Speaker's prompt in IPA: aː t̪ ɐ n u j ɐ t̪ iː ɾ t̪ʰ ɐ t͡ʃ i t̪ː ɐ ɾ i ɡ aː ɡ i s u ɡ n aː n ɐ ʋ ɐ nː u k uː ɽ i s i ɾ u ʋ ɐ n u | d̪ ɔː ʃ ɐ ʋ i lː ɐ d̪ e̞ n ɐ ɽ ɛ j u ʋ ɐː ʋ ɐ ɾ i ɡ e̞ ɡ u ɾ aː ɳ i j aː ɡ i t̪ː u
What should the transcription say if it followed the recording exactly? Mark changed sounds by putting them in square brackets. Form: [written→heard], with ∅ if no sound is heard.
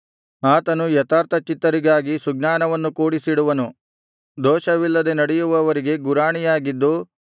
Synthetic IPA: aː t̪ ɐ n u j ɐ t̪ [iː→aː] ɾ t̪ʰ ɐ t͡ʃ i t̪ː ɐ ɾ i ɡ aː ɡ i s u ɡ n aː n ɐ ʋ ɐ nː u k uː ɽ i s i [ɾ→ɽ] u ʋ ɐ n u | d̪ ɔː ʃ ɐ ʋ i lː ɐ d̪ e̞ n ɐ ɽ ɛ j u ʋ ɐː ʋ ɐ ɾ i ɡ e̞ ɡ u ɾ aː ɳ i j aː ɡ i [t̪ː→d̪ː] u